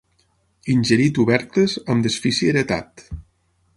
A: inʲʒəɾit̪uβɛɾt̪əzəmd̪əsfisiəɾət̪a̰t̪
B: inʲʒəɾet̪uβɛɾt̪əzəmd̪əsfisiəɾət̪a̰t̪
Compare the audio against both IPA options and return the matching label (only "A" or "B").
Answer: A